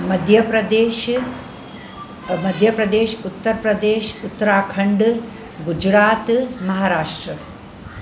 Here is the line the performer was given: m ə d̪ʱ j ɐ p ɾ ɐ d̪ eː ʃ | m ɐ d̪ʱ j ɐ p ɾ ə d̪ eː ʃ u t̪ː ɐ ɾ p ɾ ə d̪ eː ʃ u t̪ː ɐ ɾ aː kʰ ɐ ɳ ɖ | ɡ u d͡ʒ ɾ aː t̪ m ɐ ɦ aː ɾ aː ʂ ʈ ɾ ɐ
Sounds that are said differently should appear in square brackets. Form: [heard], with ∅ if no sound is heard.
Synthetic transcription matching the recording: m [ɐ] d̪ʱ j ɐ p ɾ ɐ d̪ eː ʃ | m ɐ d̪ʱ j ɐ p ɾ [ɐ] d̪ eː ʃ u t̪ː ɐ ɾ p ɾ [ɐ] d̪ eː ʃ u t̪ː ɐ ɾ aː kʰ ɐ ɳ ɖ | ɡ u d͡ʒ ɾ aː t̪ m ɐ ɦ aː ɾ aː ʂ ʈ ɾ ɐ